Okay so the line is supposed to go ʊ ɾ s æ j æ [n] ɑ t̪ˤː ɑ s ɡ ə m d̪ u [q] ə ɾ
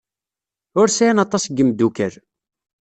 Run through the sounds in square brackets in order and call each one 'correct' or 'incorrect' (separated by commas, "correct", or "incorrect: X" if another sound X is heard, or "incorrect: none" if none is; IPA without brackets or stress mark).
correct, incorrect: k